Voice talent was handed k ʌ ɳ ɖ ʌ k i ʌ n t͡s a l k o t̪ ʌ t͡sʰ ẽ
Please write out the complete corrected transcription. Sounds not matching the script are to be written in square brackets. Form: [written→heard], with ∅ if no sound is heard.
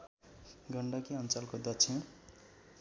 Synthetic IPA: [k→ɡ] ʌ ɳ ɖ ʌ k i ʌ n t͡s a l k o [t̪→d̪] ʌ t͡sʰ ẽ